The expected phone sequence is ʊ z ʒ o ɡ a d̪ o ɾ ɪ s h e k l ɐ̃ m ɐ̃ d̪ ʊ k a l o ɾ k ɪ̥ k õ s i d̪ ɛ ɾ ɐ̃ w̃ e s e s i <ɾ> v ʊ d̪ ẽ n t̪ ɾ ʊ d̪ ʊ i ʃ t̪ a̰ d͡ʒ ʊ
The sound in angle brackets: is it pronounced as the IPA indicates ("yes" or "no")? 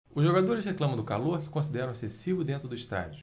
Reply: no